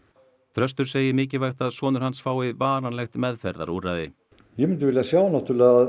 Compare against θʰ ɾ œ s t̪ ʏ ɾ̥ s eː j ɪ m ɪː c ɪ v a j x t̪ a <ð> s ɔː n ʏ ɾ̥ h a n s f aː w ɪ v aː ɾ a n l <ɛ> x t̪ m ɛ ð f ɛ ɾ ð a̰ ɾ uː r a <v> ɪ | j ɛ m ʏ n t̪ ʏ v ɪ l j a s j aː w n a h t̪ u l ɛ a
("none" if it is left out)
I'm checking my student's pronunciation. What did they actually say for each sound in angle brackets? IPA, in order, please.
ð, ɛ, ð

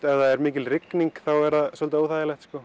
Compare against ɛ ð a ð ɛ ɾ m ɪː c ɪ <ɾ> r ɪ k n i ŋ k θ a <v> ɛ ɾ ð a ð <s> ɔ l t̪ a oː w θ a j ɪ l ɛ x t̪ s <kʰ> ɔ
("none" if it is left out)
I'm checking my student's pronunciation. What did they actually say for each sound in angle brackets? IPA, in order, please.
l, w, s, k

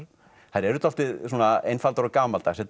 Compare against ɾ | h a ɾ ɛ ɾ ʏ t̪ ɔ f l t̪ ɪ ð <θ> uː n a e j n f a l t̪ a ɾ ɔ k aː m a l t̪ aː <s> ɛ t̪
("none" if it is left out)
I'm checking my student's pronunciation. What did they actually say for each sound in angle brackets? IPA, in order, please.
s, s

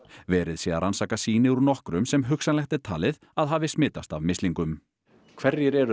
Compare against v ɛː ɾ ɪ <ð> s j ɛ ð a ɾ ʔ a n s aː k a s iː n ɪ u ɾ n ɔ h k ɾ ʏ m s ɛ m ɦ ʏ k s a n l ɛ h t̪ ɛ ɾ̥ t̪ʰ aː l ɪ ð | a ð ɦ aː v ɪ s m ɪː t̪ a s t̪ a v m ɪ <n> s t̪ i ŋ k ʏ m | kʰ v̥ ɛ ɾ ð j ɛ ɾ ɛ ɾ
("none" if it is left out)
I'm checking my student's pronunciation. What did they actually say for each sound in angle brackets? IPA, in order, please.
ð, none

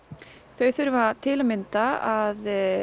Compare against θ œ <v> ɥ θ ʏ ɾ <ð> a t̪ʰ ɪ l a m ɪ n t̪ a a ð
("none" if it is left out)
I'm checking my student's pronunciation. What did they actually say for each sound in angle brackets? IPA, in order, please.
none, v

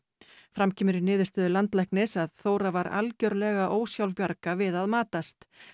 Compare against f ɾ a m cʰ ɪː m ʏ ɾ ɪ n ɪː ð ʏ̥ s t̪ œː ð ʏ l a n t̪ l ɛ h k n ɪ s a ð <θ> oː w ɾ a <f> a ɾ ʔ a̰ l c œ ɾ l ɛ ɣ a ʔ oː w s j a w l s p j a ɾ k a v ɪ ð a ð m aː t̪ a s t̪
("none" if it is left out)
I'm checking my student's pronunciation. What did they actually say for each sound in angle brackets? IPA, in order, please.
θ, v

